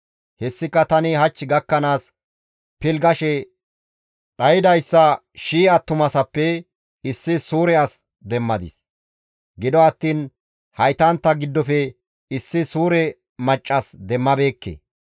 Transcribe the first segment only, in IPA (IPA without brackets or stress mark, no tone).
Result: h